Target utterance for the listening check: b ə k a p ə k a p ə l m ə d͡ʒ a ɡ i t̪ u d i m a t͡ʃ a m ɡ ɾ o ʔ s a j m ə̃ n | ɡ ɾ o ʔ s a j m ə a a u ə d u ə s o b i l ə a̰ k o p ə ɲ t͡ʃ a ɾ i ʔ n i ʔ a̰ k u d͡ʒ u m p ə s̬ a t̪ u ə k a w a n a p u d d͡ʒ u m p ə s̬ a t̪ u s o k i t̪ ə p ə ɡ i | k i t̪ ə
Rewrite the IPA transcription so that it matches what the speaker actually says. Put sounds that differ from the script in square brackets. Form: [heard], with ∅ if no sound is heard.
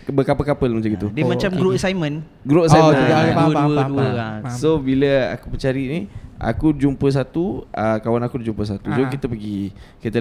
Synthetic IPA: b ə k a p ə k a p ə l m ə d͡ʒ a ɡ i t̪ u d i m a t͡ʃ a m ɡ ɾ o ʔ s a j m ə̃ n | ɡ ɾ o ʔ s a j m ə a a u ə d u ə s o b i l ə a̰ k [u] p ə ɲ t͡ʃ a ɾ i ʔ n i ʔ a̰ k u d͡ʒ u m p ə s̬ a t̪ u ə k a w a n a [k] u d d͡ʒ u m p ə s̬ a t̪ u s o k i t̪ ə p ə ɡ i | k i t̪ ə